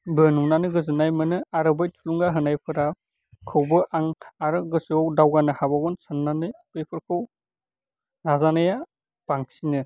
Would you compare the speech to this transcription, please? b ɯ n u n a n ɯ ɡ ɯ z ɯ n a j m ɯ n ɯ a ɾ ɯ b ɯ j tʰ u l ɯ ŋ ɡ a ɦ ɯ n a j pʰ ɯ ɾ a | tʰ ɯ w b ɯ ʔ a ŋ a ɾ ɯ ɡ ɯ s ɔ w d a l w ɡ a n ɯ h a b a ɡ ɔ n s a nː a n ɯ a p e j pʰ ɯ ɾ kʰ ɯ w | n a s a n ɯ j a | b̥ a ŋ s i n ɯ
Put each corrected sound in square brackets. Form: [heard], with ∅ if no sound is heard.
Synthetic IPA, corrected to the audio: b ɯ n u n a n ɯ ɡ ɯ z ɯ n a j m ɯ n ɯ a ɾ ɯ b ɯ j tʰ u l [u] ŋ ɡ a ɦ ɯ n a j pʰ ɯ ɾ a | [kʰ] ɯ w b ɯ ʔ a ŋ a ɾ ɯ ɡ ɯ s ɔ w d a [∅] w ɡ a n ɯ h a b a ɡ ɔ n s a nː a n ɯ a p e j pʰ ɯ ɾ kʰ ɯ w | n a [z] a n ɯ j a | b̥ a ŋ s i n ɯ